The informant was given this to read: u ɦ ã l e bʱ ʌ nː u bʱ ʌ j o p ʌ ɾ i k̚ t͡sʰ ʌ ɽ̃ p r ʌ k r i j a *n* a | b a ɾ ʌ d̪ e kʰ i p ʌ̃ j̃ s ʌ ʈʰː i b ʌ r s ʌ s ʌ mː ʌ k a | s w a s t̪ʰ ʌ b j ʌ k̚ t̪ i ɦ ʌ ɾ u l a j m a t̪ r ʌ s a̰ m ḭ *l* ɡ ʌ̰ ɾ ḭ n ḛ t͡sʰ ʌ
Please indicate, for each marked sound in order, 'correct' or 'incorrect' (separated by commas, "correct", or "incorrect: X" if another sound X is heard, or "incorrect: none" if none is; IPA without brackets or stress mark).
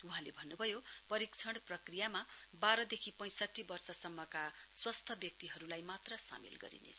incorrect: m, correct